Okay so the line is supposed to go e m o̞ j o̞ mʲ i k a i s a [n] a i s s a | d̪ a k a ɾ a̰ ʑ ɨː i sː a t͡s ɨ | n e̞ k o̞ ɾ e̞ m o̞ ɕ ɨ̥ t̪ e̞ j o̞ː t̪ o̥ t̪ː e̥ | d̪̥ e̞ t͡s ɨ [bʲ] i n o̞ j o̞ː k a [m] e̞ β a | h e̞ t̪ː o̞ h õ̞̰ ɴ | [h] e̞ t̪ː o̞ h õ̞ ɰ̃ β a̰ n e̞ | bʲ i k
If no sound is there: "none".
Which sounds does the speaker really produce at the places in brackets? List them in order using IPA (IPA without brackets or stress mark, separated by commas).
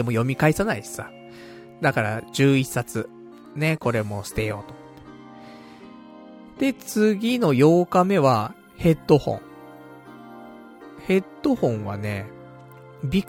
n, ɡʲ, m, h